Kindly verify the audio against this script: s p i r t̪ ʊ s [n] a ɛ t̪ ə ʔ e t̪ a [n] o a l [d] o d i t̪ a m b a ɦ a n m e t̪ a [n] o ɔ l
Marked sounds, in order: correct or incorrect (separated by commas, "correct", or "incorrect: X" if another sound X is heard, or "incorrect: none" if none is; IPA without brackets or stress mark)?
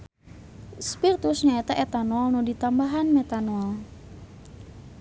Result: incorrect: ɲ, correct, incorrect: n, correct